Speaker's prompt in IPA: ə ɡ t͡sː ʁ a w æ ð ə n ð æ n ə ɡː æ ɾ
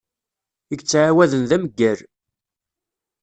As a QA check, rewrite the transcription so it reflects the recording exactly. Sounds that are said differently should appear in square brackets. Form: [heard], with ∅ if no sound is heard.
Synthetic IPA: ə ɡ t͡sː [ʕ] a w æ ð ə n ð æ [m] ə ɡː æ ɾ

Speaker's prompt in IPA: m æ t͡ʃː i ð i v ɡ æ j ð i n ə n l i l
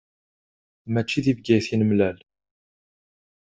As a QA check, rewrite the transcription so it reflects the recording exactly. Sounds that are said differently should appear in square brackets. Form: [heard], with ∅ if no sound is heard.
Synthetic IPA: m æ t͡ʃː i ð i v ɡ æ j [θ] i n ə [m] l [æ] l

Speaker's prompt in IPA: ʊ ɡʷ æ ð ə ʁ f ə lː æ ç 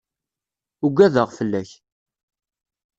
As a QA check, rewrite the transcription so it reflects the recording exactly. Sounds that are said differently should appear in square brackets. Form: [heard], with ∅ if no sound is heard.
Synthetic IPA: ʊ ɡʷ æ ð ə ʁ f ə lː æ ç

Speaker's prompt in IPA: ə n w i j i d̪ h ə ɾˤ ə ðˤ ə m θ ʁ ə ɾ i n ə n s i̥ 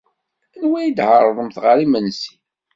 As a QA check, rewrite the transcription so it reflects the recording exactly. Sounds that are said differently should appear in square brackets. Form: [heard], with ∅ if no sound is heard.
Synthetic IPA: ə n w [æ] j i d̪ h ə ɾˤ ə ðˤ ə m θ ʁ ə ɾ i [m] ə n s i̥

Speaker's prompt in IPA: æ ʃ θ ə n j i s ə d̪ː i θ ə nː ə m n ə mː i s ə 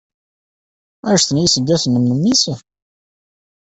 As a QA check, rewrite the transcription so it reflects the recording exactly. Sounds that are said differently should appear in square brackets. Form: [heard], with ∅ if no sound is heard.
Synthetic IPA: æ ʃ θ ə n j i s ə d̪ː [æ] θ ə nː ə m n ə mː i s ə

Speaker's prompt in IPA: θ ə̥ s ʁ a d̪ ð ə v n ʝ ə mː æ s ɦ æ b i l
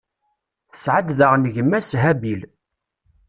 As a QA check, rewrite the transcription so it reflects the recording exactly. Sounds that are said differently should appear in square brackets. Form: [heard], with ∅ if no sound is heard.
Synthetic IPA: θ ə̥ s [ʕ] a d̪ ð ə [ʁ] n ʝ ə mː æ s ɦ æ b i l

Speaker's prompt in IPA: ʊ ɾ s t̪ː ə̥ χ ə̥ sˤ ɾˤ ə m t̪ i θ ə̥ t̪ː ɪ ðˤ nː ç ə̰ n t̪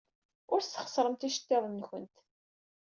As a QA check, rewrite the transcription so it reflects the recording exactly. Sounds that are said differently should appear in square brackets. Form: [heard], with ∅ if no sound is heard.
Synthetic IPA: ʊ ɾ s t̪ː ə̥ χ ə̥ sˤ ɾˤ ə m t̪ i [ʃ] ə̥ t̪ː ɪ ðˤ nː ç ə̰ n t̪

